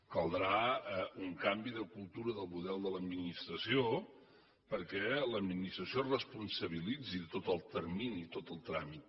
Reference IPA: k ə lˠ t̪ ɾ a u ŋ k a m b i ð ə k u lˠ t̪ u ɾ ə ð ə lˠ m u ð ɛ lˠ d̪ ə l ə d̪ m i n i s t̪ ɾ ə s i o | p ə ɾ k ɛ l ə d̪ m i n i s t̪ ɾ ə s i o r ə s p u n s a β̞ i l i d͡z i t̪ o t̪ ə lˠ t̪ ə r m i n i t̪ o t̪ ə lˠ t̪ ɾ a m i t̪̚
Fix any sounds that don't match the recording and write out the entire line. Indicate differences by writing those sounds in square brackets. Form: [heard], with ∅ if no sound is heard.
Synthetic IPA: k ə lˠ [d̪] ɾ a u ŋ k a m b i ð ə k u lˠ t̪ u ɾ ə ð ə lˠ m u ð ɛ lˠ d̪ ə l ə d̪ m i n i s t̪ ɾ ə s i o | p ə ɾ k ɛ l ə d̪ m i n i s t̪ ɾ ə s i o r ə s p u n s [ə] β̞ i l i d͡z i t̪ o t̪ ə lˠ t̪ ə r m i n i t̪ o t̪ ə lˠ t̪ ɾ a m i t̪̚